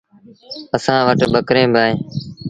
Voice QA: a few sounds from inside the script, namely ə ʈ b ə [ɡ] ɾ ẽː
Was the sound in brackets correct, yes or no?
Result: no